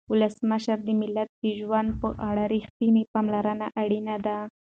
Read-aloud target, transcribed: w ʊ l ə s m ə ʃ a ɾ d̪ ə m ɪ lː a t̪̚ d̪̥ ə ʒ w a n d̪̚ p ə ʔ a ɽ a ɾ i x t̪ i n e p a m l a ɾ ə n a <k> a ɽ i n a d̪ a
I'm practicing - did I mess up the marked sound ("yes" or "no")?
yes